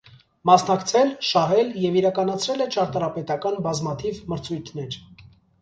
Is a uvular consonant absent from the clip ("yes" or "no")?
yes